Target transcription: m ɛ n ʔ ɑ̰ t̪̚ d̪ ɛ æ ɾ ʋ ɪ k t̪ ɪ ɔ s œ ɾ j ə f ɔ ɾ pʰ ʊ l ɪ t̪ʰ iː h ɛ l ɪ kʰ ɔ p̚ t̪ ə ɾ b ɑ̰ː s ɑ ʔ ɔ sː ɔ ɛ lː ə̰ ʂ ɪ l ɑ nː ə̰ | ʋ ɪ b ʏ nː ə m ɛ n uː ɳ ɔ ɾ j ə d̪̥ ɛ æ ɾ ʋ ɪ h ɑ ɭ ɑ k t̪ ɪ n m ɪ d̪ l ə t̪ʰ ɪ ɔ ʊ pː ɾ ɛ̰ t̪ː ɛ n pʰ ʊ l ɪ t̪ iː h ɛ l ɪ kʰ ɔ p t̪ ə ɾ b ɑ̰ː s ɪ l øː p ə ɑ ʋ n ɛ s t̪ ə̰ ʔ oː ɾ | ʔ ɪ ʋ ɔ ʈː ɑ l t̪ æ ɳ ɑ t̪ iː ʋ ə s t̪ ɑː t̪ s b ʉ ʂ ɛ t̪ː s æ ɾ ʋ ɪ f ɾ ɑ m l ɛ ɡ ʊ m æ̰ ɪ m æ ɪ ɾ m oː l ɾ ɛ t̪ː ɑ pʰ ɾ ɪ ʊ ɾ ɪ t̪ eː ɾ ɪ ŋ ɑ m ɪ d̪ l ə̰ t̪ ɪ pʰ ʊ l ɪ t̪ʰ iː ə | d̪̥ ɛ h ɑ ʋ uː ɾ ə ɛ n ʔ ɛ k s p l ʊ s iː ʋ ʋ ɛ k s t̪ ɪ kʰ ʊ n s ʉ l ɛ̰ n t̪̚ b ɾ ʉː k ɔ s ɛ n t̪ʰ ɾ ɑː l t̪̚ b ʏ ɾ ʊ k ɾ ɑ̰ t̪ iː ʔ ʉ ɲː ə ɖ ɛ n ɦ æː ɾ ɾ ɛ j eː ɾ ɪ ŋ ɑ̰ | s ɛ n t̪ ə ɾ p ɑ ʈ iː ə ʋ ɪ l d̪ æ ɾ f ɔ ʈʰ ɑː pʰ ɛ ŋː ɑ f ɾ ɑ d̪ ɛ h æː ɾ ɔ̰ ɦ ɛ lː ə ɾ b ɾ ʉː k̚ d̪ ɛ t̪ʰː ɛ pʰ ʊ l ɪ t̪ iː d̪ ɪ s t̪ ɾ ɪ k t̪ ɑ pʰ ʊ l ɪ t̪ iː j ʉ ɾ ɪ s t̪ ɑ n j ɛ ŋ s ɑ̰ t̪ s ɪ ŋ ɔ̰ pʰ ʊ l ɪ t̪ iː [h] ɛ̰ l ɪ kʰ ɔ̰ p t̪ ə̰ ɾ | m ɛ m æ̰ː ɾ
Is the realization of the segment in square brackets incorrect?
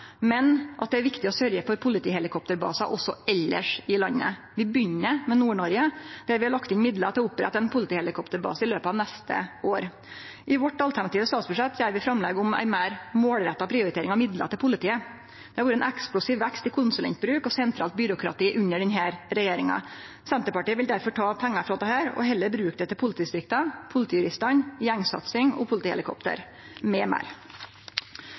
no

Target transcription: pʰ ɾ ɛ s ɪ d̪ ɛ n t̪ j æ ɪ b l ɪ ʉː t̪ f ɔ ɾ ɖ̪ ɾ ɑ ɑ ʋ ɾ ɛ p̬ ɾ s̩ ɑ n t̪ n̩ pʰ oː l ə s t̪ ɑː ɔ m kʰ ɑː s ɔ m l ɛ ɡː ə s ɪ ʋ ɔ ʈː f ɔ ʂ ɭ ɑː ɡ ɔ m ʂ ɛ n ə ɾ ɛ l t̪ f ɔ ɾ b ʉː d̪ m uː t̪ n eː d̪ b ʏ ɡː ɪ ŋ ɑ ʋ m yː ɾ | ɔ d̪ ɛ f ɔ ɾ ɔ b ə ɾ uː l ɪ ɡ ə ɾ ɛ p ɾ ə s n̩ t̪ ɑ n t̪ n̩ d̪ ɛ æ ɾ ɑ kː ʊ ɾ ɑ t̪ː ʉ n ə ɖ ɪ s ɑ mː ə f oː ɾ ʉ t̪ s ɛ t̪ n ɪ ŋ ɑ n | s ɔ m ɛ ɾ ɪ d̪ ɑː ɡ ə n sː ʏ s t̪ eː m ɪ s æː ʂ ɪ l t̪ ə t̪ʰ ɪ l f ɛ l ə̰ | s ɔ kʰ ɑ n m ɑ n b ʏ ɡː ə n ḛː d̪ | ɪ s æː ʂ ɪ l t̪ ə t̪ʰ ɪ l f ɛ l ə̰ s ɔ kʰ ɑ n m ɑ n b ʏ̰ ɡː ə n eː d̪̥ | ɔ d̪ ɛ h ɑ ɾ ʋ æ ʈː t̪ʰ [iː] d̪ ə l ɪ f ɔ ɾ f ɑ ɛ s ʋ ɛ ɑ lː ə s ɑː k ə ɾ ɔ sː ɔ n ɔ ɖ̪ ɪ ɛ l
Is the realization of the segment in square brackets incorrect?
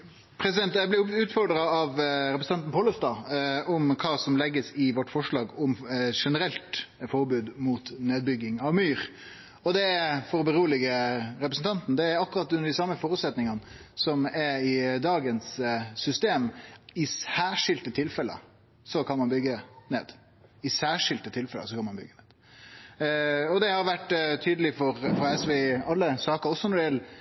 yes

